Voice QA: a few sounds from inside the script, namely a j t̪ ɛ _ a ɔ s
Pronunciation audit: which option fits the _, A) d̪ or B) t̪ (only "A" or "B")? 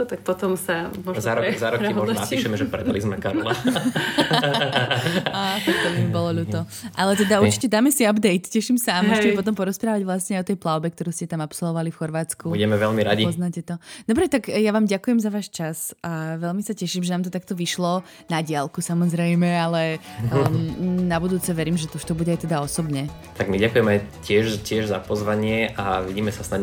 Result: A